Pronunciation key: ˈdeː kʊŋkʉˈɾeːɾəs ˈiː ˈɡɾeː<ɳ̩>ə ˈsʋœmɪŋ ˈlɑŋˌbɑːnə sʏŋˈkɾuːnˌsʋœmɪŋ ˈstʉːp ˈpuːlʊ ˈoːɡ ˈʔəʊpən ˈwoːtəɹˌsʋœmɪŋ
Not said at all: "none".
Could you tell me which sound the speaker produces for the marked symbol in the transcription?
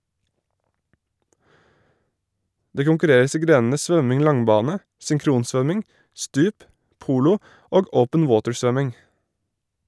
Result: n̩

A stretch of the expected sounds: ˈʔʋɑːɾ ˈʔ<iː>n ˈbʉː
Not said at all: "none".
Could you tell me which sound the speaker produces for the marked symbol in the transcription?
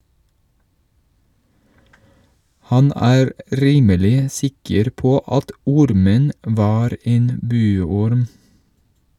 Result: eː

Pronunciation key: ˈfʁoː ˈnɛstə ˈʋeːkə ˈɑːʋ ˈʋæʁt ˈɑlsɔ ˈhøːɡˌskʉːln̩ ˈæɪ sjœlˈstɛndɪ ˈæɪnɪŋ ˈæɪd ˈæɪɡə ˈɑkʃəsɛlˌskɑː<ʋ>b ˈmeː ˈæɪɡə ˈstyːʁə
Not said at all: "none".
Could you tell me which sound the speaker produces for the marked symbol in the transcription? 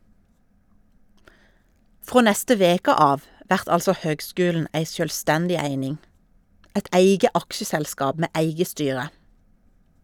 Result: none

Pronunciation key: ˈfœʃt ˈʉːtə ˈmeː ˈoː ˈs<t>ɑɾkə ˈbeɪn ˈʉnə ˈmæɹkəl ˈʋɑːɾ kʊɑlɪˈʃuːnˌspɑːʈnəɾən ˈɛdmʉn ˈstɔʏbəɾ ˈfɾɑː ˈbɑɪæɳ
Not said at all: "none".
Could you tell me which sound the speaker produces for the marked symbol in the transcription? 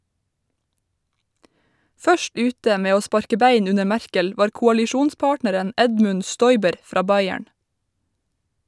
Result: p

